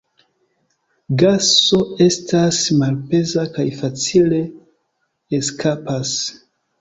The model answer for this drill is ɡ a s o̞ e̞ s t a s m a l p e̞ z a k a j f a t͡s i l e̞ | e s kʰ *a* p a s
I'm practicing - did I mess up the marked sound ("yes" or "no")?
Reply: no